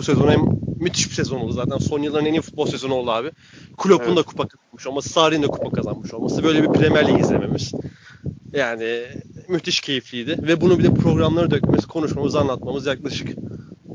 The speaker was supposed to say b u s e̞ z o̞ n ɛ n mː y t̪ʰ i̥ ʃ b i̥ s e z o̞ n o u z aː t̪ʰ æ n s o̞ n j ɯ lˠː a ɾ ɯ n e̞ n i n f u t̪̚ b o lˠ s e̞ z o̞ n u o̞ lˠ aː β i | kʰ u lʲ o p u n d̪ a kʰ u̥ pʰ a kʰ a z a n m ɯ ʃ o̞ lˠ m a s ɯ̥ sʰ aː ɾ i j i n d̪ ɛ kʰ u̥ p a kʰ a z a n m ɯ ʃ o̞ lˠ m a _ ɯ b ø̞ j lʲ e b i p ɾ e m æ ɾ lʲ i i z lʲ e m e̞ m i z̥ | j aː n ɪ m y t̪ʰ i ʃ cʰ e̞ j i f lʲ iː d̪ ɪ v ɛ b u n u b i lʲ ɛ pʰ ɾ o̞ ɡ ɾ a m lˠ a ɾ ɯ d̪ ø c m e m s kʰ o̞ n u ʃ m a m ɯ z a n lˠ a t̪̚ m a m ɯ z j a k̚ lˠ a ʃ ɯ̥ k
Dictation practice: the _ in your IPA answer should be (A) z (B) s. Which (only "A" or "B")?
B